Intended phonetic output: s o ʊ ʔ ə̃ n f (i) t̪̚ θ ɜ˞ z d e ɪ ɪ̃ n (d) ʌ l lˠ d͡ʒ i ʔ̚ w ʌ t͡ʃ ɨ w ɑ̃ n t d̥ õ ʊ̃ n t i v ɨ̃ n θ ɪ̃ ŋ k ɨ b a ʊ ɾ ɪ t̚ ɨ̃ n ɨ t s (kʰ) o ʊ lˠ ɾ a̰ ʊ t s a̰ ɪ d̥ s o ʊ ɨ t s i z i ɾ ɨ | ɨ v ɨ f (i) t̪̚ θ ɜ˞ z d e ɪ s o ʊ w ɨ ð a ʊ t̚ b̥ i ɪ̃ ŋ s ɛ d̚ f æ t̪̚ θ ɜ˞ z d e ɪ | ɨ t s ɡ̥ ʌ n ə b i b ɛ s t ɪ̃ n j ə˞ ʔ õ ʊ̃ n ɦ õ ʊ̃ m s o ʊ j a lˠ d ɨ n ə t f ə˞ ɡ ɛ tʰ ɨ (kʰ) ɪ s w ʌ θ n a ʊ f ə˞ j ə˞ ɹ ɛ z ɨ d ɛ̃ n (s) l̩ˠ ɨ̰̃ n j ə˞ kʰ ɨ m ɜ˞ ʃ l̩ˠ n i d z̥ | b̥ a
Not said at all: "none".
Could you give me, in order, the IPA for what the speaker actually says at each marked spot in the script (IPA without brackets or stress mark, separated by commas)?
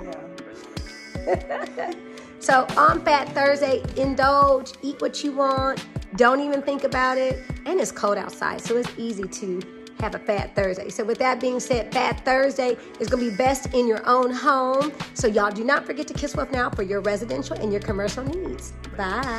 æ, d, kʰ, æ, kʰ, ʃ